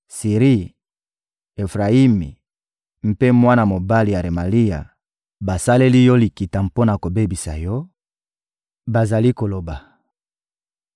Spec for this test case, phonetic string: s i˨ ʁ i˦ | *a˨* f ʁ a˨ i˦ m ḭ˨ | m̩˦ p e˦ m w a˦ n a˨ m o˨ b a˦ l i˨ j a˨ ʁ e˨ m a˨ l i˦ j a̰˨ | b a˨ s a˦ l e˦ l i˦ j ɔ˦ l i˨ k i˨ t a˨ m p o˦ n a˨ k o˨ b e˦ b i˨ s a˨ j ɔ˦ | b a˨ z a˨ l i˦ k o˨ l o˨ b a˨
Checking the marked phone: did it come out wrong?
yes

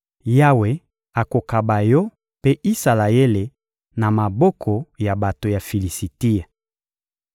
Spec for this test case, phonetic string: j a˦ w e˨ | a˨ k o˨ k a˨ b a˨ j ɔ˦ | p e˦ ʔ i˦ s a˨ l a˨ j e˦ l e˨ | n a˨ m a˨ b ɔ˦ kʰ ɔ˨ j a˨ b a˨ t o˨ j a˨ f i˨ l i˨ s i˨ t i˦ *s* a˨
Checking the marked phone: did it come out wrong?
yes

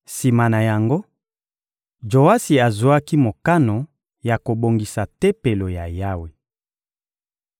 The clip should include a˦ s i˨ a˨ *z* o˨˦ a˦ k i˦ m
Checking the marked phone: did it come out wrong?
no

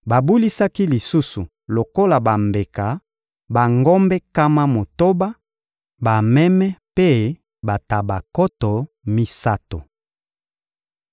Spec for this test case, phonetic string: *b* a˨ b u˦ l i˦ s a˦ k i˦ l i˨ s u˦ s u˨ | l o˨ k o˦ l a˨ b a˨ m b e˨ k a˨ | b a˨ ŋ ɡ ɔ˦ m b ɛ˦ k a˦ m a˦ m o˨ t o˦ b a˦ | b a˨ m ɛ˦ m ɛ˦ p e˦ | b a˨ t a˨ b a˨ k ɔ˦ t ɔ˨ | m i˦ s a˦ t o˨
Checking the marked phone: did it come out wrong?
no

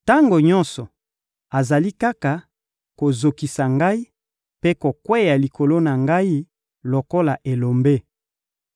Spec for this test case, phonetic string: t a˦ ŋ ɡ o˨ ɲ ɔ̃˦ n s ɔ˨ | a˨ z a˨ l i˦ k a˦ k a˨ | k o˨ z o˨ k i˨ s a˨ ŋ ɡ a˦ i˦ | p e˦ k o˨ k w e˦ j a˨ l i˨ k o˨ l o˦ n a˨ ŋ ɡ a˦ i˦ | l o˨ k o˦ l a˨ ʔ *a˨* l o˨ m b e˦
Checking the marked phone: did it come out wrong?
yes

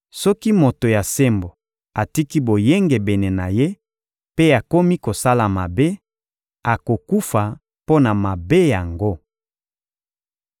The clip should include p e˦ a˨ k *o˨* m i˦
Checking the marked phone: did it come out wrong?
yes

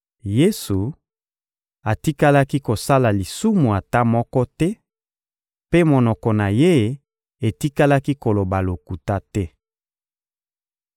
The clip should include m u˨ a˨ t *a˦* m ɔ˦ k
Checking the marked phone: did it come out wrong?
no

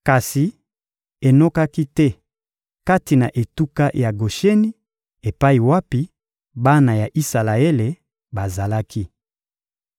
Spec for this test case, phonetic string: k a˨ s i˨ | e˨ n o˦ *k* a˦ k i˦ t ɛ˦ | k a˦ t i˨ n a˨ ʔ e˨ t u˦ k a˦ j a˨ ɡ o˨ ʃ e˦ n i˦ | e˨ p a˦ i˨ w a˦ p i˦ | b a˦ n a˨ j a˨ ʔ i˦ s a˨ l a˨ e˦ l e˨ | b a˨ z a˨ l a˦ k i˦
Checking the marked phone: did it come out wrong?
no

